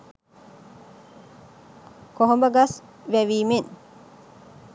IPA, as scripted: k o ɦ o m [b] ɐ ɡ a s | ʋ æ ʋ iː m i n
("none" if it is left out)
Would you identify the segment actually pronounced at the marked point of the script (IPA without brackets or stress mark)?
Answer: b